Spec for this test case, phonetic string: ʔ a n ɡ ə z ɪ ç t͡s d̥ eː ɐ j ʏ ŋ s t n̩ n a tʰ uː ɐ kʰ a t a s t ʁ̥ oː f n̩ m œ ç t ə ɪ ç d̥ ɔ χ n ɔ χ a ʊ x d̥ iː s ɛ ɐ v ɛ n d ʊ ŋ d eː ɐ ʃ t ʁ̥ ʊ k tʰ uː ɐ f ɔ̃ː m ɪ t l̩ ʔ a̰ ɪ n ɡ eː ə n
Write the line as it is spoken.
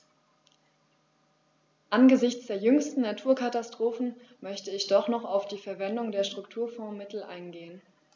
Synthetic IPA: ʔ a n ɡ ə z ɪ ç t͡s d̥ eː ɐ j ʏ ŋ s t n̩ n a tʰ uː ɐ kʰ a t a s t ʁ̥ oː f n̩ m œ ç t ə ɪ ç d̥ ɔ χ n ɔ χ a ʊ f d̥ iː f ɛ ɐ v ɛ n d ʊ ŋ d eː ɐ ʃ t ʁ̥ ʊ k tʰ uː ɐ f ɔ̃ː m ɪ t l̩ ʔ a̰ ɪ n ɡ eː ə n